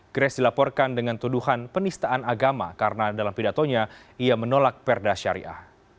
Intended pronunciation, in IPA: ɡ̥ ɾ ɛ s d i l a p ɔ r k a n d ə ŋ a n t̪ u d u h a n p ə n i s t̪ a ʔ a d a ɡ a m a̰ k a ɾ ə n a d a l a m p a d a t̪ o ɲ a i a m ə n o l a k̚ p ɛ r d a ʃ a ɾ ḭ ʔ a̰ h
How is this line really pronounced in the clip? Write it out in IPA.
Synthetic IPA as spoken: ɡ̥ ɾ ɛ s d i l a p ɔ r k a n d ə ŋ a n t̪ u d u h a n p ə n i s t̪ a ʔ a n a ɡ a m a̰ k a ɾ ə n a d a l a m p i d a t̪ o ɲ a i a m ə n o l a k̚ p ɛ r d a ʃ a ɾ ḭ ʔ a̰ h